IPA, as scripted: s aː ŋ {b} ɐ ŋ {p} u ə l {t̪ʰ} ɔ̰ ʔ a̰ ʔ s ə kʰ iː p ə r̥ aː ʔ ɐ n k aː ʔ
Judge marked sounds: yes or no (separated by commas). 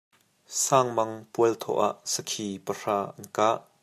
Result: no, yes, yes